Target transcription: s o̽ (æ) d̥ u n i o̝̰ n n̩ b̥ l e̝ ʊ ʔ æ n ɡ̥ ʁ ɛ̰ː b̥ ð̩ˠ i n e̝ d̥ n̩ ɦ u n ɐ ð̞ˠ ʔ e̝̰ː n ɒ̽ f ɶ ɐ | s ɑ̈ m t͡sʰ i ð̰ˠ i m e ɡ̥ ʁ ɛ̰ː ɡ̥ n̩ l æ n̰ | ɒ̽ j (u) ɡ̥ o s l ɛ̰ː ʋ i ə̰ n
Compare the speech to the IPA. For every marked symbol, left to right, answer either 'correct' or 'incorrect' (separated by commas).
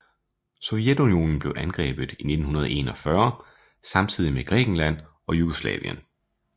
incorrect, correct